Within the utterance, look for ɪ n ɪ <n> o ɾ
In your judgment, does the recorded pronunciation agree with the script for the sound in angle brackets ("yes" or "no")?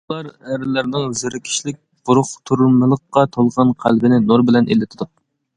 yes